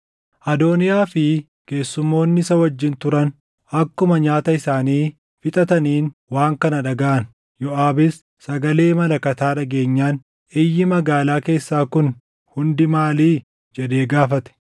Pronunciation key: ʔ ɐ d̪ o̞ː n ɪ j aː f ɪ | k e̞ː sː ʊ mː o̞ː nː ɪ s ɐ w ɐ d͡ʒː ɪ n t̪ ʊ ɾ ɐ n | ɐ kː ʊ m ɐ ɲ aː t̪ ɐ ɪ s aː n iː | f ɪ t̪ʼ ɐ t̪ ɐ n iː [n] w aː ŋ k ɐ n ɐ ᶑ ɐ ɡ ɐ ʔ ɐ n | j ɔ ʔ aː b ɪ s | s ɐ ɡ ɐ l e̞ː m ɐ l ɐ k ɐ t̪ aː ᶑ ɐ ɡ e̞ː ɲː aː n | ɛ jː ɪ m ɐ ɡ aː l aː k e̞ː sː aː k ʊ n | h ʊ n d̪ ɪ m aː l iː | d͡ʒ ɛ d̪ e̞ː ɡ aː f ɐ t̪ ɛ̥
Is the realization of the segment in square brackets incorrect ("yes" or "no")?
no